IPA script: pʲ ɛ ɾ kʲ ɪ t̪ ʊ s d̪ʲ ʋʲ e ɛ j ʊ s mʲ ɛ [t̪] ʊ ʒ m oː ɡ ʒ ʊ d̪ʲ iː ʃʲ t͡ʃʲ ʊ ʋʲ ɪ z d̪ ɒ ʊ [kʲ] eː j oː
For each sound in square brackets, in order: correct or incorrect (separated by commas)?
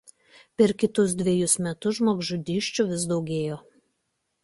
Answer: correct, incorrect